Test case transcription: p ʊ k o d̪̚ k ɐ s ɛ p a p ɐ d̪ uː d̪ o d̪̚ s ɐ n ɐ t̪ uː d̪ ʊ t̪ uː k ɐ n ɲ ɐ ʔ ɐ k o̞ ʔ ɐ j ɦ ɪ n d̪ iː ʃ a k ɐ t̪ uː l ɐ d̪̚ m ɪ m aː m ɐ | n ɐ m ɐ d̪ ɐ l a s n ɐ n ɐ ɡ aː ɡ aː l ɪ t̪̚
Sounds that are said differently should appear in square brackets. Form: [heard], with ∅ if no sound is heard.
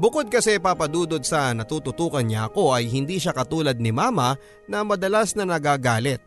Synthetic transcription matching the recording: [b] ʊ k o d̪̚ k ɐ s ɛ p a p ɐ d̪ uː d̪ o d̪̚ s ɐ n ɐ t̪ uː [t̪] ʊ t̪ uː k ɐ n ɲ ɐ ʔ ɐ k o̞ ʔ ɐ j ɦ ɪ n d̪ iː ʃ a k ɐ t̪ uː l ɐ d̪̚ [n] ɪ m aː m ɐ | n ɐ m ɐ d̪ ɐ l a s n ɐ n ɐ ɡ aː ɡ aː l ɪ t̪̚